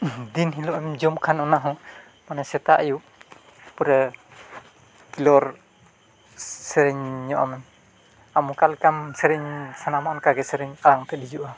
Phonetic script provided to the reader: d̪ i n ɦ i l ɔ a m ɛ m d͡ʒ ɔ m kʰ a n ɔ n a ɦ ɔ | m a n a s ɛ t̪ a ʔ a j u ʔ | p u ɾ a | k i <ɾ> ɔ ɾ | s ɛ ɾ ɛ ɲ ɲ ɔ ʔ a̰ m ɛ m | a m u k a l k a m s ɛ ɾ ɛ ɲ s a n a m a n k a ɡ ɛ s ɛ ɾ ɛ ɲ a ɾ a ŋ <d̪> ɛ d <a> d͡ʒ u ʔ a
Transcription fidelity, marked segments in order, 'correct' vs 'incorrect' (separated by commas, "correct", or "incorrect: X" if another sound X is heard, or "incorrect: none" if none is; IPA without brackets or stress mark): incorrect: l, incorrect: t̪, incorrect: i